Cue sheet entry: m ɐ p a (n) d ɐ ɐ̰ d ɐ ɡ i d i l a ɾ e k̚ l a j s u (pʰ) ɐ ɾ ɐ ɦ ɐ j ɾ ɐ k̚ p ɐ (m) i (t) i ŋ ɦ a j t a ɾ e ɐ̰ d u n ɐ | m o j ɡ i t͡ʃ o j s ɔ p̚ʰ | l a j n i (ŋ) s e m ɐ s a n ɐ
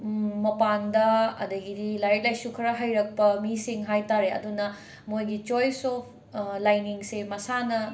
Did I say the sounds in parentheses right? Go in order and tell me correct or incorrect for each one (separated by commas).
correct, incorrect, correct, incorrect, correct